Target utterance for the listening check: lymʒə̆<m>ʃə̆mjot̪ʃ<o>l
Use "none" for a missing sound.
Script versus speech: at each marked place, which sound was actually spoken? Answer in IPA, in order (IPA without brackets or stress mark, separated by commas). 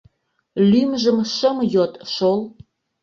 m, o